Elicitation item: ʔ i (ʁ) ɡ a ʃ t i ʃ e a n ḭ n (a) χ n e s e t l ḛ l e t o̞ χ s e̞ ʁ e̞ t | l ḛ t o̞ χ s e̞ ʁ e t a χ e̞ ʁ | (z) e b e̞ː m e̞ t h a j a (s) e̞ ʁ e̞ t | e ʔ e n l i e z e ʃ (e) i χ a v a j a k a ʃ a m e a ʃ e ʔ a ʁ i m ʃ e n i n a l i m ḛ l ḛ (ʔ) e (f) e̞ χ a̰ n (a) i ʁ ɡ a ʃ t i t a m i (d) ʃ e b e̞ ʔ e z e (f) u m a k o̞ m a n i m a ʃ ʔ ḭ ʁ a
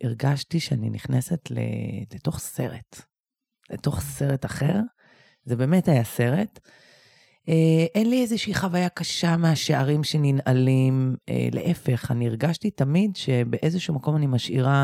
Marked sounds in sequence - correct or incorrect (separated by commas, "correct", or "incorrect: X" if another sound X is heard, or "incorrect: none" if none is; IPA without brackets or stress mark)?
correct, incorrect: i, correct, correct, incorrect: i, correct, correct, incorrect: i, correct, incorrect: ʃ